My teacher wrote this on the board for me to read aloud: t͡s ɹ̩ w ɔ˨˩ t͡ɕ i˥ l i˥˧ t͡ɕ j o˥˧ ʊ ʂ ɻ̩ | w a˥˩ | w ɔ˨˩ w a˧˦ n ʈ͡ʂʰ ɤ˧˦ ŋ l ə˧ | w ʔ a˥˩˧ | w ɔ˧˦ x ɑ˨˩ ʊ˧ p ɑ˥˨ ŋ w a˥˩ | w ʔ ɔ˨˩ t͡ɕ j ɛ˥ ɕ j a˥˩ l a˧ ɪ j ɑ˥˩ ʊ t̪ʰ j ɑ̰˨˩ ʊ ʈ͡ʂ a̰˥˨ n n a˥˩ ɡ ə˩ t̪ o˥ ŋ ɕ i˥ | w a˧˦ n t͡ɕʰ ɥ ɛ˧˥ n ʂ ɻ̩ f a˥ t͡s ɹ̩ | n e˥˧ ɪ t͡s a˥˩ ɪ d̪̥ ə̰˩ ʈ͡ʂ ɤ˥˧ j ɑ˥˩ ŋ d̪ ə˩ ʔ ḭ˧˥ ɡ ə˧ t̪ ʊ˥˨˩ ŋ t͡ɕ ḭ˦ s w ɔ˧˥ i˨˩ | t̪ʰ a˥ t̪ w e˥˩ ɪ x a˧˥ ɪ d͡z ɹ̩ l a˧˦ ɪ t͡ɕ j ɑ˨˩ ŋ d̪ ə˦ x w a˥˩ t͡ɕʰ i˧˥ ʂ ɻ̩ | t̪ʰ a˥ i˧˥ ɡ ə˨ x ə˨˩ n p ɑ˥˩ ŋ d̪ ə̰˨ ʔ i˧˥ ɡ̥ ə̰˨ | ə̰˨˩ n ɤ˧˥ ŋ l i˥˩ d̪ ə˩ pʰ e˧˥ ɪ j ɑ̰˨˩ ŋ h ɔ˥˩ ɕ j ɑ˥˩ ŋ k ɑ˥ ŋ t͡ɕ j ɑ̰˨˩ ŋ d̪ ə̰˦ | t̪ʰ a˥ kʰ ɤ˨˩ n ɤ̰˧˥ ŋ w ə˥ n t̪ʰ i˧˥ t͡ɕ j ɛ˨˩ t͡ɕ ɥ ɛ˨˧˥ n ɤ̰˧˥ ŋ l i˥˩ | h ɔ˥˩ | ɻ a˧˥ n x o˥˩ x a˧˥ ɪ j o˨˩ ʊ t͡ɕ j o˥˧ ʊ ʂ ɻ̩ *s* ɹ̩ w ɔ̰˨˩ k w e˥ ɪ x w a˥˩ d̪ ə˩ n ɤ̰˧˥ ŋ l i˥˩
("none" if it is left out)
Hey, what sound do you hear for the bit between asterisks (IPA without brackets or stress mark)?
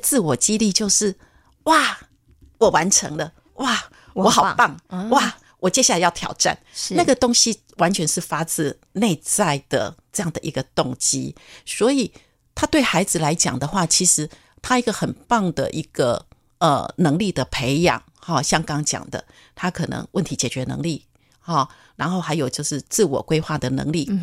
t͡s